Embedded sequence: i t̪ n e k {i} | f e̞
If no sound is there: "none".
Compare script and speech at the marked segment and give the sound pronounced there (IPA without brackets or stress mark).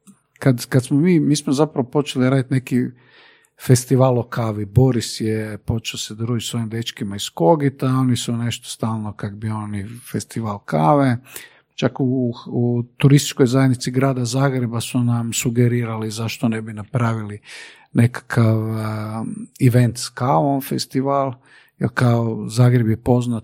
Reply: i